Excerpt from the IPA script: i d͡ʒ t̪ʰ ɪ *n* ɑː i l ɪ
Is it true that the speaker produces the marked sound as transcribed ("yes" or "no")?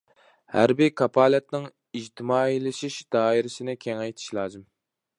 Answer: no